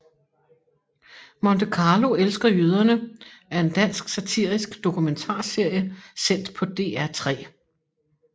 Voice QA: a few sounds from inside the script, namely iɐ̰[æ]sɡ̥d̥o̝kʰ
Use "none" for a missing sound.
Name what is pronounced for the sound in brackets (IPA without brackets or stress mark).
i